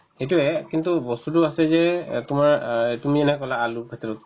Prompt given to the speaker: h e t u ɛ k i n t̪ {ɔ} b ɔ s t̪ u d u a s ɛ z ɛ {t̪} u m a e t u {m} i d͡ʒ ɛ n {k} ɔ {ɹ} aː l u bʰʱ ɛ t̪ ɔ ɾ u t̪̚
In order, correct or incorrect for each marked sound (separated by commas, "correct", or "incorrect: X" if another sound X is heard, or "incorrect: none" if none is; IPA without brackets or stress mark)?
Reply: incorrect: u, correct, correct, correct, incorrect: l